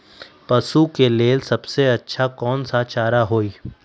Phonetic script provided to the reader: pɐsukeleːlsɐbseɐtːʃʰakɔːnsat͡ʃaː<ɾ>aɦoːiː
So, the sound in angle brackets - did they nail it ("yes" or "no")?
yes